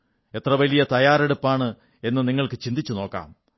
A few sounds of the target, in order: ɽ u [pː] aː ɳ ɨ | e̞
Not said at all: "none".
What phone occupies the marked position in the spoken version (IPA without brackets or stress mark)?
pː